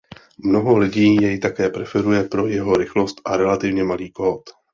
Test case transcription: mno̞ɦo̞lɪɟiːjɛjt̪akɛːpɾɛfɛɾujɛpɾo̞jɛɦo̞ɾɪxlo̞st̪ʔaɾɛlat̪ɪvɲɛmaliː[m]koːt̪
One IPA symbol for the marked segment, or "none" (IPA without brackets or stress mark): none